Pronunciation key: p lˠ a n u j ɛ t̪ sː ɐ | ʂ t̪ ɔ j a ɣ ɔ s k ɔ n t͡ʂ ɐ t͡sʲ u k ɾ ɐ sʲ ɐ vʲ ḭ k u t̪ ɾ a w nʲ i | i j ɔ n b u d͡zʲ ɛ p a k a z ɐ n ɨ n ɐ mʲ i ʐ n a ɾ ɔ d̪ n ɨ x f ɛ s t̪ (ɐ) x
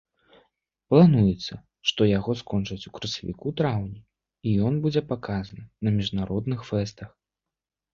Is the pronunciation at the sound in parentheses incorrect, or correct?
correct